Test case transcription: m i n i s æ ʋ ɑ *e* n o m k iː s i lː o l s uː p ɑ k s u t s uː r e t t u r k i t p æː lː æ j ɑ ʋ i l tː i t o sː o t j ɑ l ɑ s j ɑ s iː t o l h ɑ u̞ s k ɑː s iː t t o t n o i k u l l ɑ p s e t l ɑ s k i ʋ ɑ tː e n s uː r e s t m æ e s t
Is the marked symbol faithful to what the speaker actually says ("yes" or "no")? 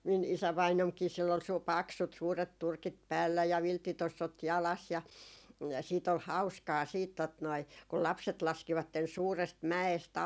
no